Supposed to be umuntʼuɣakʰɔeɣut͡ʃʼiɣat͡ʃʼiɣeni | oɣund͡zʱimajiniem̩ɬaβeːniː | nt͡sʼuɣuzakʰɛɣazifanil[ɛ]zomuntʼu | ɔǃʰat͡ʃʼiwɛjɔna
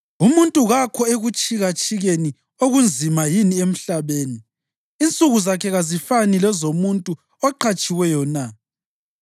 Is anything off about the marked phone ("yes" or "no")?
no